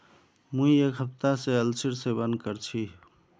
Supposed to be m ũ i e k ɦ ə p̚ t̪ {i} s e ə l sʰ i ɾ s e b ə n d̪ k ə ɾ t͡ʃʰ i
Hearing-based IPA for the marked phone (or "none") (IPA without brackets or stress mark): a